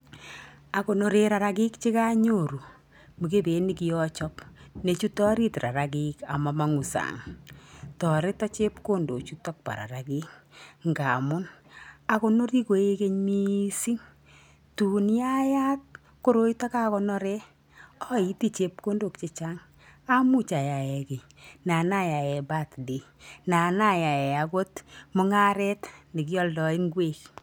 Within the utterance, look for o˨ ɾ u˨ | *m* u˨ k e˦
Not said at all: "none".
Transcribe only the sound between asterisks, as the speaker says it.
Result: m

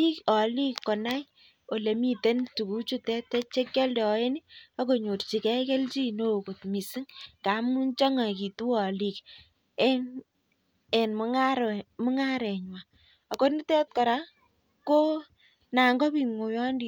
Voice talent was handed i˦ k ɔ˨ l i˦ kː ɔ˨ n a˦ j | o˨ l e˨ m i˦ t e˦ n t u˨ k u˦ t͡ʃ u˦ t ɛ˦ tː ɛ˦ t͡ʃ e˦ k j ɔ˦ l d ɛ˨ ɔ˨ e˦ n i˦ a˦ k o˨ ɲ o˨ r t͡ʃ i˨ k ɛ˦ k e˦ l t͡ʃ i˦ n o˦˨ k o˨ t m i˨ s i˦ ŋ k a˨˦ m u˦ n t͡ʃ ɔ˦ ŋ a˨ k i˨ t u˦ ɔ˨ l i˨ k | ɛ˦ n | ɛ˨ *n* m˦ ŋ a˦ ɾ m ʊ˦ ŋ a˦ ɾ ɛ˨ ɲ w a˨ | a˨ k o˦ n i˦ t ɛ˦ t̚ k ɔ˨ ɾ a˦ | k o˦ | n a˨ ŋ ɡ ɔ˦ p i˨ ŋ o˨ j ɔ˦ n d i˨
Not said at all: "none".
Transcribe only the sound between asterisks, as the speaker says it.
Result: n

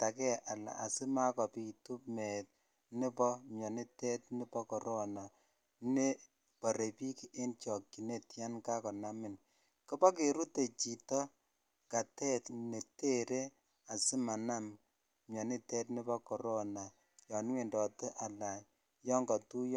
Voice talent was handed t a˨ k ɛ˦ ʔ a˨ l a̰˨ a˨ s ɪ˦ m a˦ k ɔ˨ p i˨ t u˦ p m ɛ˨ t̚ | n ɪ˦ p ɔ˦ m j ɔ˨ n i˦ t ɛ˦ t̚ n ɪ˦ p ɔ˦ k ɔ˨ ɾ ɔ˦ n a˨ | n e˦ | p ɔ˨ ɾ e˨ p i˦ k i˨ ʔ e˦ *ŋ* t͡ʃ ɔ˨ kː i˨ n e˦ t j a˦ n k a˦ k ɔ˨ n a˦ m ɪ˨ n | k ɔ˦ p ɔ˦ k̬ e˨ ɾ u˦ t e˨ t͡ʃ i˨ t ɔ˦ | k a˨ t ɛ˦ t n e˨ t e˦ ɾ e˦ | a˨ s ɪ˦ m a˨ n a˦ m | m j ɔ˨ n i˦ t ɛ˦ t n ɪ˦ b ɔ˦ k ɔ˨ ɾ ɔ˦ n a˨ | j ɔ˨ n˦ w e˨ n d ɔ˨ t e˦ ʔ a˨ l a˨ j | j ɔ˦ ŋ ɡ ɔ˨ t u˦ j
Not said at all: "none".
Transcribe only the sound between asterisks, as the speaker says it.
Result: n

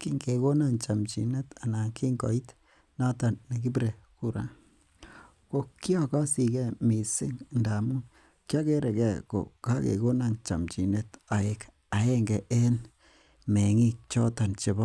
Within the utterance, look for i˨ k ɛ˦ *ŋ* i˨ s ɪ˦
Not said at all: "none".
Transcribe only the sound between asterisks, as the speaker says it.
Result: m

